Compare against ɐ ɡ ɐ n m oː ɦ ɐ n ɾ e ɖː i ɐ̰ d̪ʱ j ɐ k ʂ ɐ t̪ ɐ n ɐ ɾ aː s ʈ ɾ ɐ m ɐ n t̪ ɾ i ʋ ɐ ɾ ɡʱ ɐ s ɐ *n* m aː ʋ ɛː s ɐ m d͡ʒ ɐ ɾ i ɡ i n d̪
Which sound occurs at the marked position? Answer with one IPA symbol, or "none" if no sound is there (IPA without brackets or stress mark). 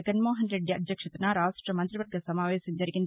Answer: none